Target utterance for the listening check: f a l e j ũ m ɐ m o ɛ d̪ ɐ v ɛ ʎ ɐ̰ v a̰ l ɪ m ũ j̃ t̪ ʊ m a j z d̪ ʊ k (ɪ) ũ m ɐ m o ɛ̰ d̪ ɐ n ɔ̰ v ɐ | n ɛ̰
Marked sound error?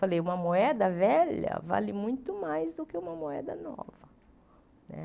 no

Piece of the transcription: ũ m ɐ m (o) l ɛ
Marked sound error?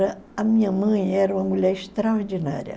yes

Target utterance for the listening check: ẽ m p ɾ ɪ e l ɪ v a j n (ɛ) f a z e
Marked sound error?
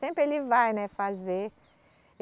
no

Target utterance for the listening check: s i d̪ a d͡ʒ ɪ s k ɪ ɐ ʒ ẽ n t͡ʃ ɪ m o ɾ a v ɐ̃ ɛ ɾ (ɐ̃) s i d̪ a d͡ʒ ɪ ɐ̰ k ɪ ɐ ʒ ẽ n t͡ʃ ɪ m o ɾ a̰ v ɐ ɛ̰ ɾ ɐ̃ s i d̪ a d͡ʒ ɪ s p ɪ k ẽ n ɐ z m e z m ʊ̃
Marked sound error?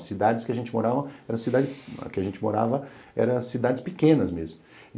no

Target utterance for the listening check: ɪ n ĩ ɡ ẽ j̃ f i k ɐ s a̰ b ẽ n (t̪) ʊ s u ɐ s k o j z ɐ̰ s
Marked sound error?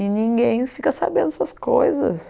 yes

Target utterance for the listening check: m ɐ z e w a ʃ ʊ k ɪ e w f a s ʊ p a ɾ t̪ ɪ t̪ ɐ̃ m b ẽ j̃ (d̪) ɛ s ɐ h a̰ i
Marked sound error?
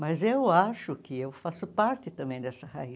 no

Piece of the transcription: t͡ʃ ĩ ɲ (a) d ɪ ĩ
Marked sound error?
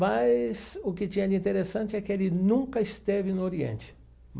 yes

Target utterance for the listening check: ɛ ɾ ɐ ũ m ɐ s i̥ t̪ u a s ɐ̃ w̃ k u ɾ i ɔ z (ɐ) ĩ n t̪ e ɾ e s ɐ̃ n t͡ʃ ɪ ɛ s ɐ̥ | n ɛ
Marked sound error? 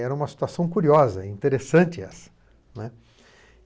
no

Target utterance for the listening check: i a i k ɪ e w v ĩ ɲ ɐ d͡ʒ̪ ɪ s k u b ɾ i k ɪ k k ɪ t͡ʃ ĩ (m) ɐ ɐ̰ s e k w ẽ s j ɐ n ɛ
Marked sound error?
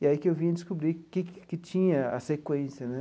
yes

